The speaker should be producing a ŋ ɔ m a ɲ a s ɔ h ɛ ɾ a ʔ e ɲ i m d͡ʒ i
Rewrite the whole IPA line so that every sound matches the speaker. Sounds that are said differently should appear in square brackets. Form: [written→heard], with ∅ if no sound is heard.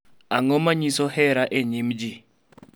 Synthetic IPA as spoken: a ŋ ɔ m a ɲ [a→i] s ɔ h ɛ ɾ a ʔ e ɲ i m d͡ʒ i